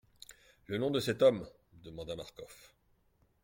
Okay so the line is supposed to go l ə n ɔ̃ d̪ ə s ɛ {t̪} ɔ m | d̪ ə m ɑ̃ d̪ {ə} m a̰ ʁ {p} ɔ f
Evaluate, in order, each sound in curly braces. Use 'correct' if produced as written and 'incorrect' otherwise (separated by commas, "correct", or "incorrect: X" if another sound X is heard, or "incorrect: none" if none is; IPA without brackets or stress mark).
correct, incorrect: a, incorrect: k